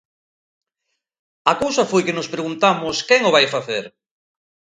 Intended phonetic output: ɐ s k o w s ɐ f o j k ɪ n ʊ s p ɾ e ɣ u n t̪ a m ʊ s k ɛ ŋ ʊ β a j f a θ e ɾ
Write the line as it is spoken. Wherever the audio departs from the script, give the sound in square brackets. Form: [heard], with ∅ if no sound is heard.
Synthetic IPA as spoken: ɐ [∅] k o w s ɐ f o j k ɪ n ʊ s p ɾ e ɣ u n t̪ a m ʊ s k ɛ ŋ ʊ β a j f a θ e ɾ